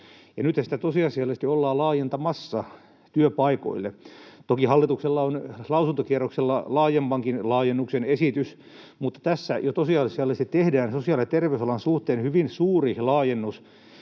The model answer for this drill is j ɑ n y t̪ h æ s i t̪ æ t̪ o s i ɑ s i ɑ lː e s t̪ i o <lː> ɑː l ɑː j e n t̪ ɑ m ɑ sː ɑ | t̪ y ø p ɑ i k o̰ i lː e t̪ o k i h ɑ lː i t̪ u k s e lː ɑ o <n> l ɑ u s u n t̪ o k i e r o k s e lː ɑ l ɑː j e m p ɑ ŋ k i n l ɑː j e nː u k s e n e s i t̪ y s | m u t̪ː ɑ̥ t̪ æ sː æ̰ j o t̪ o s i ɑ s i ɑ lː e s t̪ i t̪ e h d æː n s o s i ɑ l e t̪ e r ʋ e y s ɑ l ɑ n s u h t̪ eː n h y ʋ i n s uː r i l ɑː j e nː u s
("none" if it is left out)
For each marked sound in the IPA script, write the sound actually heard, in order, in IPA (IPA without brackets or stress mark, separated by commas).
lː, n